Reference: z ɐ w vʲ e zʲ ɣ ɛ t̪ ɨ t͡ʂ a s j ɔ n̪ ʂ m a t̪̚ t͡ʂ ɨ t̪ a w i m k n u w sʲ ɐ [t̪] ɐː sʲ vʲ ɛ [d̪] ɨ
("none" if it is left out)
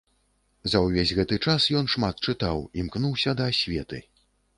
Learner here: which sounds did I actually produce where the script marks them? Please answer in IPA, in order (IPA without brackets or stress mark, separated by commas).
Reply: d̪, t̪